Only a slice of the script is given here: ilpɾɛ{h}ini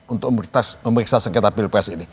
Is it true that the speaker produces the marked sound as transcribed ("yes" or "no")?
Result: no